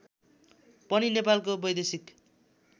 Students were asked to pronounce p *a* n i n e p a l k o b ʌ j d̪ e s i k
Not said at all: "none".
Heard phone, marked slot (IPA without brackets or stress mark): ʌ